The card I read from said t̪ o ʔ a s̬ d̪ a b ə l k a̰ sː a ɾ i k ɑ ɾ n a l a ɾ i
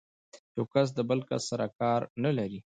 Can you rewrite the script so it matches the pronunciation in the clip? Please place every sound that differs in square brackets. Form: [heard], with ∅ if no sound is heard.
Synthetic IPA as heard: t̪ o [k] a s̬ d̪ [ə] b ə l k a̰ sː a ɾ [a] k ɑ ɾ n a l a ɾ i